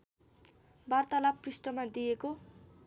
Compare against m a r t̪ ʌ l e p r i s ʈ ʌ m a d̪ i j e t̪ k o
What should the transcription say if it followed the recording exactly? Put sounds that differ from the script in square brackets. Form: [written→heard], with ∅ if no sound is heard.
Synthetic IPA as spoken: [m→b] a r t̪ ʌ l [e→a] p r i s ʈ ʌ m a d̪ i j e [t̪→∅] k o